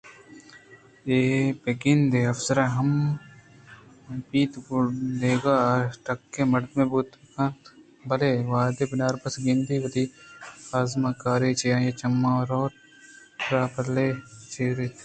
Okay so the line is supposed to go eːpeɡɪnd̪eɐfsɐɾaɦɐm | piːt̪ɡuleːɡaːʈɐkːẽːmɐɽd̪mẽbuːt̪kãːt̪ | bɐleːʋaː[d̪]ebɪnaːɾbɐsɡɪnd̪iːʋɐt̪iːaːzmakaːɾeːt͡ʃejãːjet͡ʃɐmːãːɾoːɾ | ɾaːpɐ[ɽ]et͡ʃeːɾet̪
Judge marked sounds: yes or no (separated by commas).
yes, no